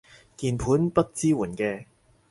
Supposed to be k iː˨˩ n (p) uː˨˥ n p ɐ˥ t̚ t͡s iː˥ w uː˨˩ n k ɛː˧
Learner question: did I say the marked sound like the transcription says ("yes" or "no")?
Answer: no